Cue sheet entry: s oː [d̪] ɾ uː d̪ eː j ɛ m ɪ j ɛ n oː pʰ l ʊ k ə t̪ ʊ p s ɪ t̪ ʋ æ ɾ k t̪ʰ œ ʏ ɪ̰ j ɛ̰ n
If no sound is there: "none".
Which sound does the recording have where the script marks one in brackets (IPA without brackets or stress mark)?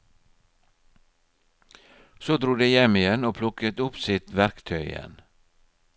d̪